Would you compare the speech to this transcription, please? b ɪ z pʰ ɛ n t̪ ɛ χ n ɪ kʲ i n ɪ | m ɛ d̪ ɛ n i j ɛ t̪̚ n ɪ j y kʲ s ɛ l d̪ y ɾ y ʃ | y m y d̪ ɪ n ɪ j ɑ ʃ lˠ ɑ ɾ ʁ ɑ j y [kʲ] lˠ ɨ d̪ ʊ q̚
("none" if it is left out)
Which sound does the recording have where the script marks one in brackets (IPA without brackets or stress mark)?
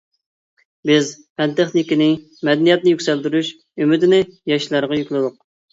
kʲ